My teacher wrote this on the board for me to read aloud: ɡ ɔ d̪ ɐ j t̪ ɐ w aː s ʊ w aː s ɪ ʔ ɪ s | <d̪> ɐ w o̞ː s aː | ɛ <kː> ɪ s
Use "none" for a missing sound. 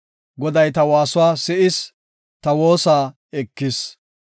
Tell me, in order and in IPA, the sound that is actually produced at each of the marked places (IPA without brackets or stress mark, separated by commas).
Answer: t̪, kː